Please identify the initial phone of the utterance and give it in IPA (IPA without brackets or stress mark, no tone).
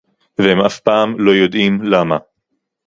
v